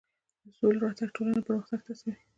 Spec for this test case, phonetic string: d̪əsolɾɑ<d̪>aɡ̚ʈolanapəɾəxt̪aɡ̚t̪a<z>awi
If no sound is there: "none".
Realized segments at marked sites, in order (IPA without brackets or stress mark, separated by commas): t̪, s